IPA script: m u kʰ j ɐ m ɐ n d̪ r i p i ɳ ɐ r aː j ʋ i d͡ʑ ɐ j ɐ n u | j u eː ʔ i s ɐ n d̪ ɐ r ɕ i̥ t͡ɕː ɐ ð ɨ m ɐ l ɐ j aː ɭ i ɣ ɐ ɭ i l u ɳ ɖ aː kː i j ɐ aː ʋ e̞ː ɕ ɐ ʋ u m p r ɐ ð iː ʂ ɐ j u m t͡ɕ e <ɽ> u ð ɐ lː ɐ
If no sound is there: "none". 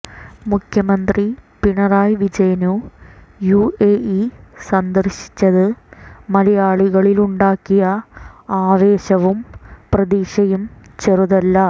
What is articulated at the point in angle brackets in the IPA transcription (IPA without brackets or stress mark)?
r